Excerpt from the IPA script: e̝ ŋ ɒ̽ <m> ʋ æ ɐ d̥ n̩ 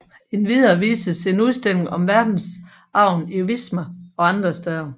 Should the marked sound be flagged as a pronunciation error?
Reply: no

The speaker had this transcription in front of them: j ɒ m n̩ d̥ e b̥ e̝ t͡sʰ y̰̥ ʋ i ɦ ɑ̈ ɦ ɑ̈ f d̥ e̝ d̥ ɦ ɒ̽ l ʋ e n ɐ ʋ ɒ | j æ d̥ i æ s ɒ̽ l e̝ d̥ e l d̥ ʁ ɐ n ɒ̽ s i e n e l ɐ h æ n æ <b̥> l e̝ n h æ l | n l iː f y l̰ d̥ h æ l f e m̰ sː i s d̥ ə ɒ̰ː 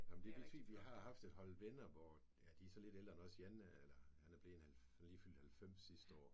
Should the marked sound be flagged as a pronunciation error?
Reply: no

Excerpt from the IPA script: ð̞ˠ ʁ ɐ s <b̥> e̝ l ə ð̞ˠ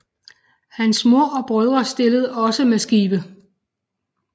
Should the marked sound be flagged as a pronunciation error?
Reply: yes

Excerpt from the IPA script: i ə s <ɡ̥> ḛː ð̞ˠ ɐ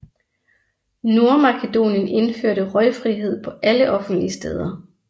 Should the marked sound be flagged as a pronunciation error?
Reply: yes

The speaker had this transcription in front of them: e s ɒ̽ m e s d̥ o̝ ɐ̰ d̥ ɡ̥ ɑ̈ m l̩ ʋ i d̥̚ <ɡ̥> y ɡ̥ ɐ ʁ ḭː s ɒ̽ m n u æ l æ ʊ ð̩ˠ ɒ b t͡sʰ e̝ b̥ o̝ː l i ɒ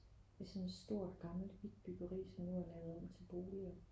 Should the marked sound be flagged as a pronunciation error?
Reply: yes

